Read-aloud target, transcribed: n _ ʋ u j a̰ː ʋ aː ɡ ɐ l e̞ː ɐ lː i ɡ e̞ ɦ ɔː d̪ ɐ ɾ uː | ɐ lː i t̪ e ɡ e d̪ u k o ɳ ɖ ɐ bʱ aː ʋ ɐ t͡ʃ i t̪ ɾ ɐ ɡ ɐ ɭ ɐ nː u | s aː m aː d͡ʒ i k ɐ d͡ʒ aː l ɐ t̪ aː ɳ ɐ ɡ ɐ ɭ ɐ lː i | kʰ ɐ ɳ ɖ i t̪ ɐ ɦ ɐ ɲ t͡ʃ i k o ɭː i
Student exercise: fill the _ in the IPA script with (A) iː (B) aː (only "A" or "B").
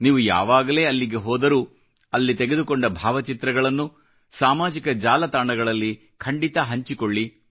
A